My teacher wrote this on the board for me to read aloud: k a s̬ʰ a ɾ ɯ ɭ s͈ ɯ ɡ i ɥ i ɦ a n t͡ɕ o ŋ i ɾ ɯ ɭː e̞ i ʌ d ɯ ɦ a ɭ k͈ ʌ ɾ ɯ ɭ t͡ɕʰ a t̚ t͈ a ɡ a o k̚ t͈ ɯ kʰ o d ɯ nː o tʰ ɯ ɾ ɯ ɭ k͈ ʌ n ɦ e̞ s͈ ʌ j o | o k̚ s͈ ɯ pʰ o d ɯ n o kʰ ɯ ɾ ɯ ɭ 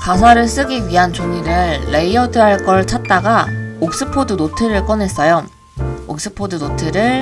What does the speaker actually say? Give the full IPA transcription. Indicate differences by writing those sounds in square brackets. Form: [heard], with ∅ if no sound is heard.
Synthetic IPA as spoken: k a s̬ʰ a ɾ ɯ ɭ s͈ ɯ ɡ i ɥ i ɦ a n t͡ɕ o ŋ i ɾ ɯ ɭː e̞ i ʌ d ɯ ɦ a ɭ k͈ ʌ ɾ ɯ ɭ t͡ɕʰ a t̚ t͈ a ɡ a o k̚ [s͈] ɯ [pʰ] o d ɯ [n] o tʰ ɯ ɾ ɯ ɭ k͈ ʌ n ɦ e̞ s͈ ʌ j o | o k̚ s͈ ɯ pʰ o d ɯ n o [tʰ] ɯ ɾ ɯ ɭ